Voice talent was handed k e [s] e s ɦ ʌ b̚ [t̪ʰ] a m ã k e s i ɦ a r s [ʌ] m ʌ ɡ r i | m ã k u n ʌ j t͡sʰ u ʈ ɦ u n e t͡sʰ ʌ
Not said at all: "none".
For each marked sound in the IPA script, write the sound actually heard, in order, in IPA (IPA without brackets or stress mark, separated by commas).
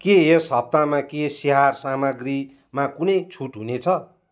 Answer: none, t̪, a